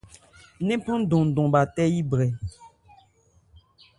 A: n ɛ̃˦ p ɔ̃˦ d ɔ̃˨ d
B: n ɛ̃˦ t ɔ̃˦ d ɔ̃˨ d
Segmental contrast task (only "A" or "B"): A